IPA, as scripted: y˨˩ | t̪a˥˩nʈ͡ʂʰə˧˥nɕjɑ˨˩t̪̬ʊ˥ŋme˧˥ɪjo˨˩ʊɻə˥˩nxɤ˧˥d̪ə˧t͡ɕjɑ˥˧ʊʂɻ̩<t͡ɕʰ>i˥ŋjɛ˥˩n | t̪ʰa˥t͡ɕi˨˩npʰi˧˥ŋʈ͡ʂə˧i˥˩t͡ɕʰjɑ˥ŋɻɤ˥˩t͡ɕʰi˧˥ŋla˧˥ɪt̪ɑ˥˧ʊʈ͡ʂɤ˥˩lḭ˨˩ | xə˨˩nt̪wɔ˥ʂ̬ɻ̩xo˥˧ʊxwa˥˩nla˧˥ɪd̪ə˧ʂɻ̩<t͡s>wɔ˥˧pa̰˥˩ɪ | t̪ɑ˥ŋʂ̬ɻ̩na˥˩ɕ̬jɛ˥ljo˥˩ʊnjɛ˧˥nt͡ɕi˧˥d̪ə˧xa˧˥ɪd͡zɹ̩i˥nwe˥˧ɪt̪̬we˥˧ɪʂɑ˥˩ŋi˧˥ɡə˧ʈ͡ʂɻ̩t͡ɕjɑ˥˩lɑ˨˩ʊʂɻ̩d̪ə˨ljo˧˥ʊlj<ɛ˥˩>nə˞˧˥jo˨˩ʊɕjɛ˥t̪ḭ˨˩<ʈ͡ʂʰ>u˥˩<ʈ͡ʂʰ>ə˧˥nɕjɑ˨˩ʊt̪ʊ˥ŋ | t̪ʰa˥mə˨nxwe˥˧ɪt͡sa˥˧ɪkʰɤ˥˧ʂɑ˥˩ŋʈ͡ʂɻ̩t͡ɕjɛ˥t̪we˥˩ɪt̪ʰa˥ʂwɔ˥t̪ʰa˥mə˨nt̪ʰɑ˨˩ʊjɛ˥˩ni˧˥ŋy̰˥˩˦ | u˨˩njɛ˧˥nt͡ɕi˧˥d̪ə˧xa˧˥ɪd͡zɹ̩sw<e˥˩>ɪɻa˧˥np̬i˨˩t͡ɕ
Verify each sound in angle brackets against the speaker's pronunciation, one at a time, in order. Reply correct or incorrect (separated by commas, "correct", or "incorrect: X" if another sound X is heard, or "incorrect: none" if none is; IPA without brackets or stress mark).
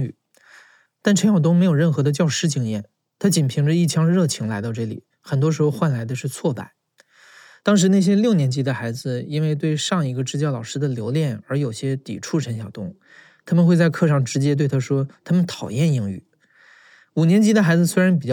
incorrect: t͡ɕ, incorrect: t͡sʰ, correct, correct, correct, incorrect: e˥